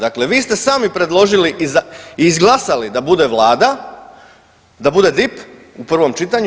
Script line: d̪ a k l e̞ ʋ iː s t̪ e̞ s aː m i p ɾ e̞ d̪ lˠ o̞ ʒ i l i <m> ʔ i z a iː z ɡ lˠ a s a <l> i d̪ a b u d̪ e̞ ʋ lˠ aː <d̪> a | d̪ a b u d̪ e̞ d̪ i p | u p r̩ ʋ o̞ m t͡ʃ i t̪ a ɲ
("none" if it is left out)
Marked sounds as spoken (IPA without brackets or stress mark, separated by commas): none, l, d̪